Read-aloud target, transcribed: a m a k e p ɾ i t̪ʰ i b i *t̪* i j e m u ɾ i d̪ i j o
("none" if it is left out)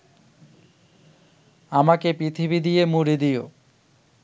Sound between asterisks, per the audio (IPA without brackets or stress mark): d̪